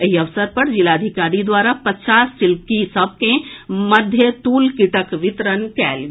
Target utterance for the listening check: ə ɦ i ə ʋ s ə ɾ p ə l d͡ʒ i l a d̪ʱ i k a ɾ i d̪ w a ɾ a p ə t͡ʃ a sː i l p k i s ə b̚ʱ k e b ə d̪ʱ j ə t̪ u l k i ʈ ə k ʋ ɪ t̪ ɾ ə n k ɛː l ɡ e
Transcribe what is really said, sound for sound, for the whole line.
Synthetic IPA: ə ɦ i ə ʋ s ə ɾ p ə ɾ d͡ʒ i l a d̪ʱ i k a ɾ i d̪ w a ɾ a p ə t͡ʃ a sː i l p k i s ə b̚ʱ k e m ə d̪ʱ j ə t̪ u l k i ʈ ə k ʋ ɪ t̪ ɾ ə n k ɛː l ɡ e